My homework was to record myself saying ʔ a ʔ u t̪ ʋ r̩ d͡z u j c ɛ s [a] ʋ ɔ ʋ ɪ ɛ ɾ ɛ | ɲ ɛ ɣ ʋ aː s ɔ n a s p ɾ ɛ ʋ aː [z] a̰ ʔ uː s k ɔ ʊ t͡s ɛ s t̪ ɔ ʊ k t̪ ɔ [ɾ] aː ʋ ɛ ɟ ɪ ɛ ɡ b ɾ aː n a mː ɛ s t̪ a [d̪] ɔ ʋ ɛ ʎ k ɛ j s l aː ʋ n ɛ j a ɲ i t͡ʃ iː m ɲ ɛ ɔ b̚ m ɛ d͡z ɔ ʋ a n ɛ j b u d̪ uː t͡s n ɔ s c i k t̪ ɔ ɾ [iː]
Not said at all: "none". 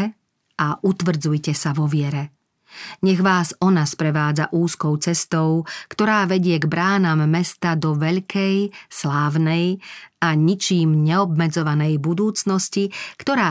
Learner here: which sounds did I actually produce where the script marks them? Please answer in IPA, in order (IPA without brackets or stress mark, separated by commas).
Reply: a, d͡z, ɾ, d̪, aː